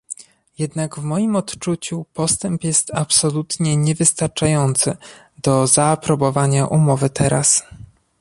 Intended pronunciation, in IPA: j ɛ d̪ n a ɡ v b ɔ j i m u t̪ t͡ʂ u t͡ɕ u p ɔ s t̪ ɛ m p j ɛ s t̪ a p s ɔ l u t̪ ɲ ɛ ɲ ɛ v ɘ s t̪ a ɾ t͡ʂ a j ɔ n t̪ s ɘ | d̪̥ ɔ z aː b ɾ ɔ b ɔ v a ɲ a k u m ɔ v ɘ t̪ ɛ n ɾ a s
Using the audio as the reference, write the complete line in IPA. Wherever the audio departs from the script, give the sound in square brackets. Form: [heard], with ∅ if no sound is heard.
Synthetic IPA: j ɛ d̪ n a ɡ v [m] ɔ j i m [ɔ] t̪ t͡ʂ u t͡ɕ u p ɔ s t̪ ɛ m p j ɛ s t̪ a p s ɔ l u t̪ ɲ ɛ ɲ ɛ v ɘ s t̪ a ɾ t͡ʂ a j ɔ n t̪ s ɘ | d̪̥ ɔ z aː [p] ɾ ɔ b ɔ v a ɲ a [ʔ] u m ɔ v ɘ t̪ ɛ [∅] ɾ a s